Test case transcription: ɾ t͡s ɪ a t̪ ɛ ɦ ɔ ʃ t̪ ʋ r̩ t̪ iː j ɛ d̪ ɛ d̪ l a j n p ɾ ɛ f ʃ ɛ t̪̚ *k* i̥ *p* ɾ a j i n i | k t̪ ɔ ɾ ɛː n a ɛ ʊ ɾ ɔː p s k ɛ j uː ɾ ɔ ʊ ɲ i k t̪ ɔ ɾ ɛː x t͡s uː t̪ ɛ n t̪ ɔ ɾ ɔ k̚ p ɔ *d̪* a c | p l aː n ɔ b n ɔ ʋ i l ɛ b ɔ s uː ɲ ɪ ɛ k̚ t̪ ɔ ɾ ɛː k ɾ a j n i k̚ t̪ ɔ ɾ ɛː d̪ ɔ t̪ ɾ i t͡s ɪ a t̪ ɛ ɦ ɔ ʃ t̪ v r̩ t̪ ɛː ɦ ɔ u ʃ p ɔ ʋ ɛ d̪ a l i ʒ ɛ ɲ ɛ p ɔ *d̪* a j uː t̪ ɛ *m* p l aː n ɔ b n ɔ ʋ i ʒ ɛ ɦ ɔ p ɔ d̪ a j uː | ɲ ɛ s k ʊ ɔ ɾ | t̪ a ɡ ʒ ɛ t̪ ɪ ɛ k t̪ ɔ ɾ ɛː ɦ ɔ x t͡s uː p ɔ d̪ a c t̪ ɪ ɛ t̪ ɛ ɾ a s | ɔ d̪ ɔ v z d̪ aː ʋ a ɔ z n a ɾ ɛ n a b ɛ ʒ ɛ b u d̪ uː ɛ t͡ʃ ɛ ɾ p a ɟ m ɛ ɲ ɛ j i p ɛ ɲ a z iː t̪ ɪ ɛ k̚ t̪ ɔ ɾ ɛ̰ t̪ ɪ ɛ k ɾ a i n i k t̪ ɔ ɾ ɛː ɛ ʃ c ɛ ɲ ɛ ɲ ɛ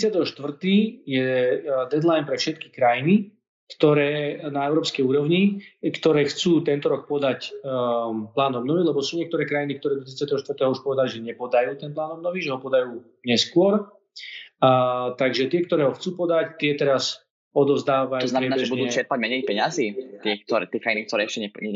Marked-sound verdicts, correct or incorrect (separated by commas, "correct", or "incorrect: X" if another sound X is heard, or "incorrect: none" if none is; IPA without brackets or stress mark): correct, incorrect: k, correct, correct, incorrect: n